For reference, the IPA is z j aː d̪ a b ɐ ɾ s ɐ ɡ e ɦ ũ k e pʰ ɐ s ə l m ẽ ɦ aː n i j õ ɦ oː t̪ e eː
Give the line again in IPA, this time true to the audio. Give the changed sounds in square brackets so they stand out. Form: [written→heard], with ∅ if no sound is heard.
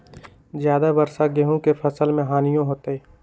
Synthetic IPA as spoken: z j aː d̪ a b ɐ ɾ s [ɐ→a] ɡ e ɦ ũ k e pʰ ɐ s ə l m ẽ ɦ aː n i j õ ɦ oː t̪ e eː